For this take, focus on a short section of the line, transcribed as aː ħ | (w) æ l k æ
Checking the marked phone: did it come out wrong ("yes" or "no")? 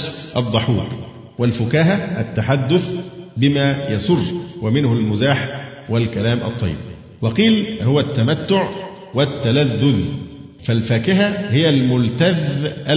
no